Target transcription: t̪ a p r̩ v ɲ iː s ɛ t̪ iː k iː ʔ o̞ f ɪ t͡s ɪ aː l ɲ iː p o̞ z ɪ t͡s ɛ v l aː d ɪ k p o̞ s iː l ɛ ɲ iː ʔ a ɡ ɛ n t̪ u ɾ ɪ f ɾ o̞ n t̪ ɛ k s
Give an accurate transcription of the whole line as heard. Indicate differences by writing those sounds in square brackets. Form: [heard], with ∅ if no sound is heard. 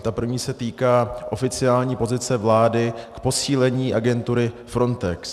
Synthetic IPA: t̪ a p r̩ v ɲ iː s ɛ t̪ iː k [aː] ʔ o̞ f ɪ t͡s ɪ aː l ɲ iː p o̞ z ɪ t͡s ɛ v l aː d ɪ k p o̞ s iː l ɛ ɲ iː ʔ a ɡ ɛ n t̪ u ɾ ɪ f ɾ o̞ n t̪ ɛ k s